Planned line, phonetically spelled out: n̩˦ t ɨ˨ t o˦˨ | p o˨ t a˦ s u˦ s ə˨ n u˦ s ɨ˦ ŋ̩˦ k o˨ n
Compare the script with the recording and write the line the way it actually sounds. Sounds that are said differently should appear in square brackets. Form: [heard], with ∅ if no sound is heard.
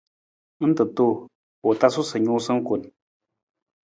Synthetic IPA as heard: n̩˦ t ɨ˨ t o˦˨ | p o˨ t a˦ s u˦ s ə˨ [ɲ] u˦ s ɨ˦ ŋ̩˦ k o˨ n

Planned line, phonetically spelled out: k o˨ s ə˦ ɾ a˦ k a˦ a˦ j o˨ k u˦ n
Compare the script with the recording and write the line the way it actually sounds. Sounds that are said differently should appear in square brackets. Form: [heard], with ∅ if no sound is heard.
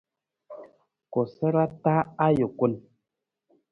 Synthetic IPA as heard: k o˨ s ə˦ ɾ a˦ [t] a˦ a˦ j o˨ k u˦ n

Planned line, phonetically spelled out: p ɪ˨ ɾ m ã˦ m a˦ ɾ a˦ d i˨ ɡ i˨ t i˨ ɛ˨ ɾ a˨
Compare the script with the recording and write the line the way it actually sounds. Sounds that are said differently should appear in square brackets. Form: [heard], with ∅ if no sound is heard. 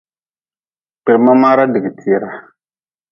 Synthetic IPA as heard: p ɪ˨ ɾ m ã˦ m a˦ ɾ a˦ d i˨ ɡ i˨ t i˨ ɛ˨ ɾ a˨

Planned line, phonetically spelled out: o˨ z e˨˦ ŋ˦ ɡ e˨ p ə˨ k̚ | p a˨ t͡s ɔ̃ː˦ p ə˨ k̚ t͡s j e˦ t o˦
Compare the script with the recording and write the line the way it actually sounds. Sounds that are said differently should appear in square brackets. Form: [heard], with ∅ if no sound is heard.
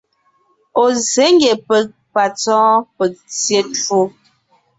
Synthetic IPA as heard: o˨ z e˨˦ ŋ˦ ɡ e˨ p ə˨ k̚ | p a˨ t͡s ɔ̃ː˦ p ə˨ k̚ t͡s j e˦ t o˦

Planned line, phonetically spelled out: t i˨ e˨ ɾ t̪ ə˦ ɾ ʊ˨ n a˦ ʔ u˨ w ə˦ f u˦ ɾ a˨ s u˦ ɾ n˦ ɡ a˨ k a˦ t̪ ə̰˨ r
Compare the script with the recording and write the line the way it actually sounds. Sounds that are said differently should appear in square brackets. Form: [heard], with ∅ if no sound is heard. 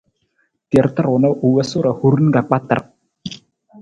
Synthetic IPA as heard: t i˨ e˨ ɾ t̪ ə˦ ɾ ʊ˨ n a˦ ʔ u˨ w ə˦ [s] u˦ ɾ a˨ [h] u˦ ɾ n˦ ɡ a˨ [k͡p] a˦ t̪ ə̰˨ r

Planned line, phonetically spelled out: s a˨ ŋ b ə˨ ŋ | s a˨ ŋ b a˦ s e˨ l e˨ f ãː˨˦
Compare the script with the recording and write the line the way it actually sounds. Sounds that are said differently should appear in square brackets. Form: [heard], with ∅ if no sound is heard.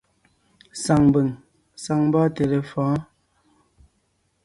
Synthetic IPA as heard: s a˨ ŋ b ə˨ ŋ | s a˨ ŋ b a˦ [t] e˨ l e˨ f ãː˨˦

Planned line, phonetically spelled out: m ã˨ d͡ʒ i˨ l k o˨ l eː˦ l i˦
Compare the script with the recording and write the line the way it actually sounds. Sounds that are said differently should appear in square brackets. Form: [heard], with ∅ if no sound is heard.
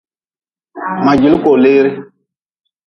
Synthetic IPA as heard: m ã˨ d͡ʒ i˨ l k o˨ l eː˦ [ɾ] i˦

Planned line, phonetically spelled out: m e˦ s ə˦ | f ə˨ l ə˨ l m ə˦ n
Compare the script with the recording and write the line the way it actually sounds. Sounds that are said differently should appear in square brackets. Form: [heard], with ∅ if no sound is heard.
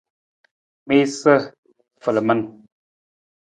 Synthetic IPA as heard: m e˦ s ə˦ | f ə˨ l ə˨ [∅] m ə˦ n

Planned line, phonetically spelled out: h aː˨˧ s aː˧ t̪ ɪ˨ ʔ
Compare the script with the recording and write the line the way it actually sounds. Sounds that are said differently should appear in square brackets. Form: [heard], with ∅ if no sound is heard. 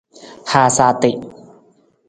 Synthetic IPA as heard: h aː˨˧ s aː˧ t̪ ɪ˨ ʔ

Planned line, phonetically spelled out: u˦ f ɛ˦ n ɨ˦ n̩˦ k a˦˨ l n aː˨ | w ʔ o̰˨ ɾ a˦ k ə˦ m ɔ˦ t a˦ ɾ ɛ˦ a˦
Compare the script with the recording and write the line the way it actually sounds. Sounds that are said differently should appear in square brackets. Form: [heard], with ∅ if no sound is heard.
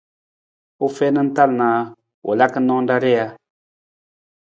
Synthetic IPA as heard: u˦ f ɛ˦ n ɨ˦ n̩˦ [t] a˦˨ l n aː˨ | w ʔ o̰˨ [l] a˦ k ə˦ [n] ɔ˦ [d] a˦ ɾ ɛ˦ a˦

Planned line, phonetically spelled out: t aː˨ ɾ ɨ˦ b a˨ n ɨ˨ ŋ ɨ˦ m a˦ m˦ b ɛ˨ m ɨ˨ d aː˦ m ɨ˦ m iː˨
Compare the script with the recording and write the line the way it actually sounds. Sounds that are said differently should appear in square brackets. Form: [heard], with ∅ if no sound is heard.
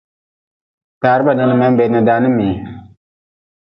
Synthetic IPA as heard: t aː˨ ɾ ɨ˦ b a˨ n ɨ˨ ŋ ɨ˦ m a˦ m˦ b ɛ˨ [n] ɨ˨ d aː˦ [n] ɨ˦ m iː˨

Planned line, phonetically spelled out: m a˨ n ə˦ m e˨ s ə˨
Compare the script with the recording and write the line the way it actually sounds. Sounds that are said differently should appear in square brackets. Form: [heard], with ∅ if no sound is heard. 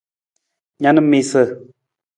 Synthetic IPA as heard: [ɲ] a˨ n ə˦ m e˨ s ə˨

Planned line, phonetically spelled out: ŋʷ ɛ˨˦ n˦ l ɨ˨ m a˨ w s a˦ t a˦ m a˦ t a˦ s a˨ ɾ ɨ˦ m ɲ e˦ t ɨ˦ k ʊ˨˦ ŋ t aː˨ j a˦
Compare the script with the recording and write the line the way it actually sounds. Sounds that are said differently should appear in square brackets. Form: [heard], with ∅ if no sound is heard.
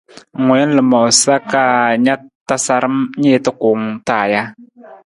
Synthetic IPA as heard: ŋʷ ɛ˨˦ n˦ l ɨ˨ m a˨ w s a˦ [k] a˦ [ɲ] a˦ t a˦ s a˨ ɾ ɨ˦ m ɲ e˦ t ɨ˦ k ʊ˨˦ ŋ t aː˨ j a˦

